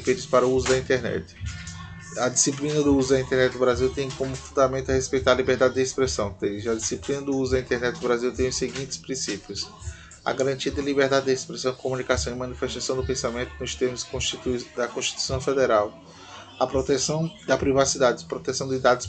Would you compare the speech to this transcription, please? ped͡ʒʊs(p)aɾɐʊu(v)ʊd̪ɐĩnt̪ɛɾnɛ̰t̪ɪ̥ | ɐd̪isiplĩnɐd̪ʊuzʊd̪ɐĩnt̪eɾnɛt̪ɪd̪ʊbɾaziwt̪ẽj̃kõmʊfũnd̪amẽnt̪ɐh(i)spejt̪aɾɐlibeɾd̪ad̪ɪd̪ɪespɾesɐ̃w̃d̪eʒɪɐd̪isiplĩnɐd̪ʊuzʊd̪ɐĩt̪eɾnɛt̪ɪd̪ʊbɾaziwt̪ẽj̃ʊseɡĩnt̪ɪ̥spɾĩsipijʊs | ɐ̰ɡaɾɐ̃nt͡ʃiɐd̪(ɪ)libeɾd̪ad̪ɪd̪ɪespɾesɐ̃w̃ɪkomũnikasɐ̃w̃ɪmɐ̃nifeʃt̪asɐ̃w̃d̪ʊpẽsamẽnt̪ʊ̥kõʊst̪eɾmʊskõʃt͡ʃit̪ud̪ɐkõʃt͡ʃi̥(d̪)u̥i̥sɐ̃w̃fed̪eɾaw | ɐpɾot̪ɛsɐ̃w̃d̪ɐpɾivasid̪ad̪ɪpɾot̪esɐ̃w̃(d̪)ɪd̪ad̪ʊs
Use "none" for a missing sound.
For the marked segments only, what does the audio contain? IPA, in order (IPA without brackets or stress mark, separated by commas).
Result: p, z, e, ɪ, t̪, d̪